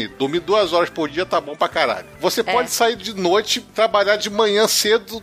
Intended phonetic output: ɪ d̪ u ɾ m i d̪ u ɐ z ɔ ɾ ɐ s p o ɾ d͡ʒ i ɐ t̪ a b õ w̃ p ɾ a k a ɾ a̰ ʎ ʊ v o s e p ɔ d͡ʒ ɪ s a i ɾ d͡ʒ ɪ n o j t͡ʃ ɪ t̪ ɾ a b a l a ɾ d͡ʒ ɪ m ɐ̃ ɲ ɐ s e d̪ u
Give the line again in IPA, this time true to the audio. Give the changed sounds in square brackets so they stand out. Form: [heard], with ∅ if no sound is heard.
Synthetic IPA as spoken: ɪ d̪ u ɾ m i d̪ u ɐ z ɔ ɾ ɐ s p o ɾ d͡ʒ i ɐ t̪ a b õ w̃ p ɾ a k a ɾ a̰ ʎ ʊ v o s e p ɔ d͡ʒ ɪ s a i ɾ d͡ʒ ɪ n o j t͡ʃ ɪ t̪ ɾ a b a [ʎ] a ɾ d͡ʒ ɪ m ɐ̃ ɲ [ɐ̃] s e d̪ [ʊ]